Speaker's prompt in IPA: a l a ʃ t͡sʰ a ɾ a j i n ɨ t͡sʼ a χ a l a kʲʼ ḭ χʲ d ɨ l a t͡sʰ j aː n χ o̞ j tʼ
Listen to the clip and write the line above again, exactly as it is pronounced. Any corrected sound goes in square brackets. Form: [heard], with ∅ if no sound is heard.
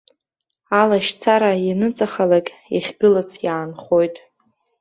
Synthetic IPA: a l a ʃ t͡sʰ a ɾ a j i n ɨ t͡sʼ a χ a l a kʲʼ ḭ χʲ [ɡ] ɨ l a t͡sʰ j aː n χ o̞ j tʼ